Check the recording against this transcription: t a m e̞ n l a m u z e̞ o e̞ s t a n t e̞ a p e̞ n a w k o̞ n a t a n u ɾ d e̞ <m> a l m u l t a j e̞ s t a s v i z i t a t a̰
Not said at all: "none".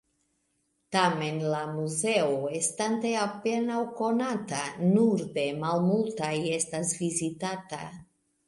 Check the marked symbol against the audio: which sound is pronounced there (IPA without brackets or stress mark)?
m